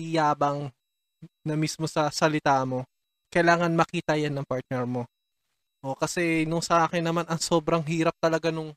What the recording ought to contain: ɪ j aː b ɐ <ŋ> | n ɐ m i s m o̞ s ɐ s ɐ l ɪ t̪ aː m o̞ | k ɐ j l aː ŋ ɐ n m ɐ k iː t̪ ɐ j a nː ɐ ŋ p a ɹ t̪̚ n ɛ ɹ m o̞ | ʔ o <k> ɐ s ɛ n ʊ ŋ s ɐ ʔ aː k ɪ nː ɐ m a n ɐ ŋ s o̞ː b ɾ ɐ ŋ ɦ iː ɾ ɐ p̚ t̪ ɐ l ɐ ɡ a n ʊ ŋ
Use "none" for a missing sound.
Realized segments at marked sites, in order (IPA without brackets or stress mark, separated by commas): ŋ, k